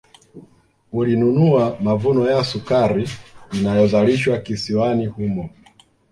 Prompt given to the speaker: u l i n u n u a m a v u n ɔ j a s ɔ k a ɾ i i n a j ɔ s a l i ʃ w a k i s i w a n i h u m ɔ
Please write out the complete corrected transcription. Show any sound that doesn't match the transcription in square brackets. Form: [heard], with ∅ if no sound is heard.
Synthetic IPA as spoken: u l i n u n u a m a v u n ɔ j a s [u] k a ɾ i i n a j ɔ [z] a l i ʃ w a k i s i w a n i h u m ɔ